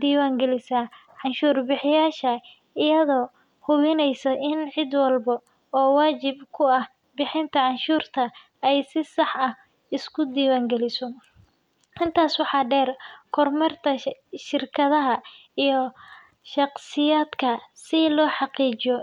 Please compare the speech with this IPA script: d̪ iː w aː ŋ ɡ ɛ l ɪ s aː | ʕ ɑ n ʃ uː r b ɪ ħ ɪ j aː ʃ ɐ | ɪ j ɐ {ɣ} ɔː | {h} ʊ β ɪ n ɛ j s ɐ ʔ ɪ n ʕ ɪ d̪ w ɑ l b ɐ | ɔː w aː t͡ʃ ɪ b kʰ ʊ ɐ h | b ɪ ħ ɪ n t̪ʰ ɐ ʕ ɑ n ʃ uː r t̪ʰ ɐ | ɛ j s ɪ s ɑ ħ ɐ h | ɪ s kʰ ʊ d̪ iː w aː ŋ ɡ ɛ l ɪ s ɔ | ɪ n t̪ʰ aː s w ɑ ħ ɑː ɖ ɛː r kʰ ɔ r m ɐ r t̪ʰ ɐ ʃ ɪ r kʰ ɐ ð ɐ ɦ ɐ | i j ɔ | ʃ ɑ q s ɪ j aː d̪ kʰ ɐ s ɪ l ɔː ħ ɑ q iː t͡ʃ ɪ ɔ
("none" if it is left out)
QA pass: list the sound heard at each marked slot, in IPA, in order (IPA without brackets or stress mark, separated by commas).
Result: ð, h